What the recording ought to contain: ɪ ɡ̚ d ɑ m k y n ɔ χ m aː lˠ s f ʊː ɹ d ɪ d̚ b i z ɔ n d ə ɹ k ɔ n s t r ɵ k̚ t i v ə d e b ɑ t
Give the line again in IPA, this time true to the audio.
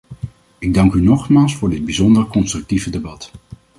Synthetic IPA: ɪ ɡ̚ d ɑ ŋ k y n ɔ χ m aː lˠ s f ʊː ɹ d ɪ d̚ b i z ɔ n d ə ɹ k ɔ n s t r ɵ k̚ t i v ə d e b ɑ t